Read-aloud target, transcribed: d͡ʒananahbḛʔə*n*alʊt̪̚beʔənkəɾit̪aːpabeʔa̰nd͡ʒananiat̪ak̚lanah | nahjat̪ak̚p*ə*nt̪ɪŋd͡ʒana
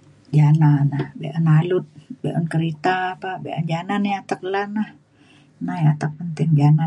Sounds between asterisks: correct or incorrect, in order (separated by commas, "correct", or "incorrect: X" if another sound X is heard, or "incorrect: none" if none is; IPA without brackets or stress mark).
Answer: correct, correct